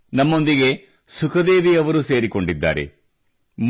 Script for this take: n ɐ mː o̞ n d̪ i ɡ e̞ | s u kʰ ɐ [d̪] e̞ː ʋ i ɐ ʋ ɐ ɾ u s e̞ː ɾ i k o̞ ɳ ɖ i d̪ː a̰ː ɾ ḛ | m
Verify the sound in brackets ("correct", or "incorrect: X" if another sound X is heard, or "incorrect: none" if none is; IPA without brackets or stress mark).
correct